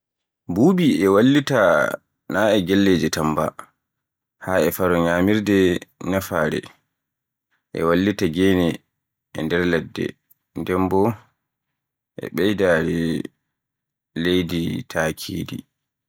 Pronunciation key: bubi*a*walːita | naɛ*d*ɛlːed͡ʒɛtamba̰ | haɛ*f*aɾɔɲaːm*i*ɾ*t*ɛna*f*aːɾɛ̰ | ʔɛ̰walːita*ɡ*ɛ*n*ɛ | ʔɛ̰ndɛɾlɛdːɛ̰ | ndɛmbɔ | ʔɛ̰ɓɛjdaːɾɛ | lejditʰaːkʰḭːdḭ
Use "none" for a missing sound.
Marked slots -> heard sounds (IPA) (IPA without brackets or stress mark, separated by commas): ɛ, ɡ, f, i, d, f, ɡ, n